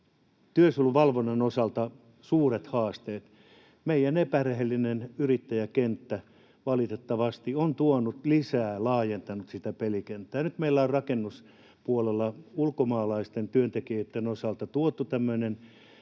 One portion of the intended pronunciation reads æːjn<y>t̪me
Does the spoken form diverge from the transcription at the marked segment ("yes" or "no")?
no